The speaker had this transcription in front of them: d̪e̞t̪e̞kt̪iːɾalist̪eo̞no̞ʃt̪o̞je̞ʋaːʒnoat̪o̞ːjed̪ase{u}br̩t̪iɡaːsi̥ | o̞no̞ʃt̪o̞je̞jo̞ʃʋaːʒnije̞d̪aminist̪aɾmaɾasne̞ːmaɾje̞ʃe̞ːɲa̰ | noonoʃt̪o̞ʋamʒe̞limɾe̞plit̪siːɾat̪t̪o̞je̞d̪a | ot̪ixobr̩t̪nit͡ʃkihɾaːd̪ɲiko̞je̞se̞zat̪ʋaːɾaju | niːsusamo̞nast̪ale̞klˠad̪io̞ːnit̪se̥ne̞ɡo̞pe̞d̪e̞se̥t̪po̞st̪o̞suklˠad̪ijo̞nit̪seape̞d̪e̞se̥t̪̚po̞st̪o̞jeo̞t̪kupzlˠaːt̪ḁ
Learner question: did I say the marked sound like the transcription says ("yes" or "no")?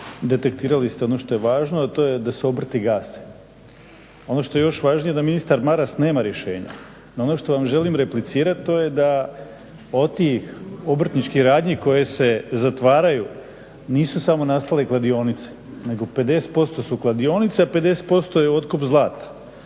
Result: no